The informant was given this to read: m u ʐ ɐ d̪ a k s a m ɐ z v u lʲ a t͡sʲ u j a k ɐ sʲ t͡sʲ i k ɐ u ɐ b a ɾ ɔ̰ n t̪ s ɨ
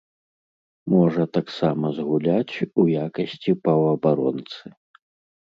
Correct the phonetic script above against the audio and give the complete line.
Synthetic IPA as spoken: m ɔ ʐ ɐ t̪ a k s a m ɐ z ɣ u lʲ a t͡sʲ u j a k ɐ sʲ t͡sʲ i p ɐ w ɐ b a ɾ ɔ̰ n t̪ s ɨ

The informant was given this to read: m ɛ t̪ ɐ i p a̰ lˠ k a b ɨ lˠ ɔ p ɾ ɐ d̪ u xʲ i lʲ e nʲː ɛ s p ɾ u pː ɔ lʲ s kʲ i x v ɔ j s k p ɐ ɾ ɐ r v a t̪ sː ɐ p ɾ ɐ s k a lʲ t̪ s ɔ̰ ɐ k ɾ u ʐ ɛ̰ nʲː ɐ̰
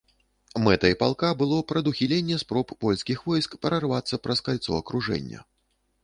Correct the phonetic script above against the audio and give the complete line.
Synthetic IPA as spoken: m ɛ t̪ ɐ i p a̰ lˠ k a b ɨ lˠ ɔ p ɾ ɐ d̪ u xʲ i lʲ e nʲː ɛ s p ɾ ɔ pː ɔ lʲ s kʲ i x v ɔ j s k p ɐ ɾ ɐ r v a t̪ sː ɐ p ɾ ɐ s k a lʲ t̪ s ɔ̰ ɐ k ɾ u ʐ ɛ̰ nʲː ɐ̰

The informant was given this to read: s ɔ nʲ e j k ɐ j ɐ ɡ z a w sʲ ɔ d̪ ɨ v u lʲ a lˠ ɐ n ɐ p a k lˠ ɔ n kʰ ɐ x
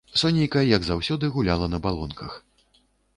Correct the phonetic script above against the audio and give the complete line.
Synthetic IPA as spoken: s ɔ nʲ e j k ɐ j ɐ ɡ z a w sʲ ɔ d̪ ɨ ɣ u lʲ a lˠ ɐ n ɐ b a lˠ ɔ n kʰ ɐ x

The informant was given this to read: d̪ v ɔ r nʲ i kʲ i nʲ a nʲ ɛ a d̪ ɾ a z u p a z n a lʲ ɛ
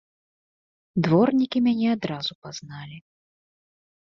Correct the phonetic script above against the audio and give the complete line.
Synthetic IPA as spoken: d̪ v ɔ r nʲ i kʲ i mʲ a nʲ ɛ a d̪ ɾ a z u p a z n a lʲ i

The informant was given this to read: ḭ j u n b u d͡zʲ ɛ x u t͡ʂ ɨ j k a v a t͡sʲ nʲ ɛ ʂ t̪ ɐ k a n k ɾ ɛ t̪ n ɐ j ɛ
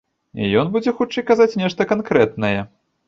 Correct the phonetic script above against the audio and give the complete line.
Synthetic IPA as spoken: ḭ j ɔ n b u d͡zʲ ɛ x u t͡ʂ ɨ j k a z a t͡sʲ nʲ ɛ ʂ t̪ ɐ k a n k ɾ ɛ t̪ n ɐ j ɛ

